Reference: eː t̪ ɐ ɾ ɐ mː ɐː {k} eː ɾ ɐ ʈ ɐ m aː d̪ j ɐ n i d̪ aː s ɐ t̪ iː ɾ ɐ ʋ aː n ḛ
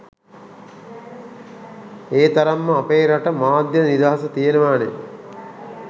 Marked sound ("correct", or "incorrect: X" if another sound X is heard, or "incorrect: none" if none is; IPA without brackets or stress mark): incorrect: p